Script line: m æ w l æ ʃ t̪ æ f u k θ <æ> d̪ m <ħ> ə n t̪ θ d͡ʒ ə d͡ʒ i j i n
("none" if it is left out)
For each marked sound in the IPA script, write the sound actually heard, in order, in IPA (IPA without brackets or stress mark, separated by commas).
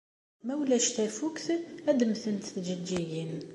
æ, θ